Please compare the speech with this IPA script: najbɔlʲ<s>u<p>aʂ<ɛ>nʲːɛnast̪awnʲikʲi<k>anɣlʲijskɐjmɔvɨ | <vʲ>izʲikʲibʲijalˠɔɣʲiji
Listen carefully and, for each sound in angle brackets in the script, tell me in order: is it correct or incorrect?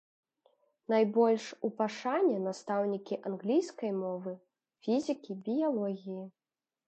incorrect: ʂ, correct, incorrect: a, incorrect: ʔ, incorrect: fʲ

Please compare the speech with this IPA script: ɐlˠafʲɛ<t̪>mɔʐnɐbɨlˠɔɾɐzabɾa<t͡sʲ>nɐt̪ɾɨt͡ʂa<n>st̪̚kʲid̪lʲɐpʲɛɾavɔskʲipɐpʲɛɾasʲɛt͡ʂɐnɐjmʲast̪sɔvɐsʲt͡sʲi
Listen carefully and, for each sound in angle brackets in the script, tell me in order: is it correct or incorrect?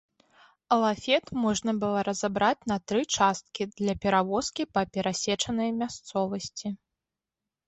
correct, correct, incorrect: none

